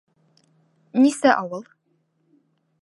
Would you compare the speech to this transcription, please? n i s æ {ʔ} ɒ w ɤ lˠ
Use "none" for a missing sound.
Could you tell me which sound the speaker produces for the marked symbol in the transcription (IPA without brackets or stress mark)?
ʔ